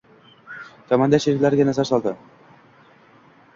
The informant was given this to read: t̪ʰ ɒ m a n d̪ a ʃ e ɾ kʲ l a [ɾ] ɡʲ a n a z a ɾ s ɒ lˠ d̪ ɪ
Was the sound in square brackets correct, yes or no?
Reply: yes